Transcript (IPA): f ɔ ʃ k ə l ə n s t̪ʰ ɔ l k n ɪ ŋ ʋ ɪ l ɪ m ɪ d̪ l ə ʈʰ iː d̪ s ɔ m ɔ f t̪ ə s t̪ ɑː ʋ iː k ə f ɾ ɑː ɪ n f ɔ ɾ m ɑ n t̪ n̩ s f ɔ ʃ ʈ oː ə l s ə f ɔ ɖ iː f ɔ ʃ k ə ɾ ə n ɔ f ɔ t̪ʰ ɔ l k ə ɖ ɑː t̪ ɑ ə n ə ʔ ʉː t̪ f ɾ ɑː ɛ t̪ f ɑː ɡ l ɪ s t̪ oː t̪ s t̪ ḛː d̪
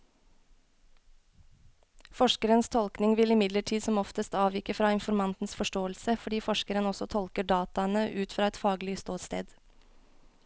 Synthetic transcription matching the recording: f ɔ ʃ k ə ɾ ə n s t̪ʰ ɔ l k n ɪ ŋ ʋ ɪ l ɪ m ɪ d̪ l ə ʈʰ iː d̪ s ɔ m ɔ f t̪ ə s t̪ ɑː ʋ iː k ə f ɾ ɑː ɪ n f ɔ ɾ m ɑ n t̪ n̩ s f ɔ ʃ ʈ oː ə l s ə f ɔ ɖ iː f ɔ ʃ k ə ɾ ə n ɔ s ɔ t̪ʰ ɔ l k ə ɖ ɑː t̪ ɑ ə n ə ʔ ʉː t̪ f ɾ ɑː ɛ t̪ f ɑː ɡ l ɪ s t̪ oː t̪ s t̪ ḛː d̪